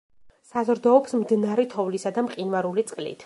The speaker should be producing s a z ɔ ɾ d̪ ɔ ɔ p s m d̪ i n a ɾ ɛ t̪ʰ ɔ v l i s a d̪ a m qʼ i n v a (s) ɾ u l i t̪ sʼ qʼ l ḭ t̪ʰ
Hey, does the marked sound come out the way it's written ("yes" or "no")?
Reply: no